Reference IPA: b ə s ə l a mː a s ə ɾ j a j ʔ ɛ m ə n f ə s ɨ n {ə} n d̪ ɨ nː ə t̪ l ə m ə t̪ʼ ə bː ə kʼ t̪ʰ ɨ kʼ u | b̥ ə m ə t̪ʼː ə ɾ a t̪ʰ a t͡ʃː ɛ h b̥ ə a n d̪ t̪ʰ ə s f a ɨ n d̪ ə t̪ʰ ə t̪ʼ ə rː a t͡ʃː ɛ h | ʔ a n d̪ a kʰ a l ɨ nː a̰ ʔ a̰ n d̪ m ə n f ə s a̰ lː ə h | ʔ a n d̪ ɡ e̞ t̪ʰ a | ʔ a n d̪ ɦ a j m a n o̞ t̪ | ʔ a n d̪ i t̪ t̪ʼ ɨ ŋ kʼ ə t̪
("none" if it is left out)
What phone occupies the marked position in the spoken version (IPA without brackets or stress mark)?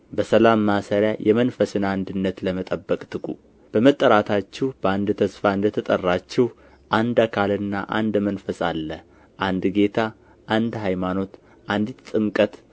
a